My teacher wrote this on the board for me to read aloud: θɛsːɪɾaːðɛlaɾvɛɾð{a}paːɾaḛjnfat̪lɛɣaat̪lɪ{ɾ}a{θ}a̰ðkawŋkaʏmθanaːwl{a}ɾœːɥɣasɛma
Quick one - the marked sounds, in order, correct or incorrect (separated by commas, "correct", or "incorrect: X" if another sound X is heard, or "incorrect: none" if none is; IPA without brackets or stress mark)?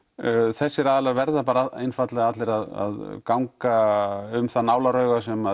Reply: correct, correct, incorrect: ð, correct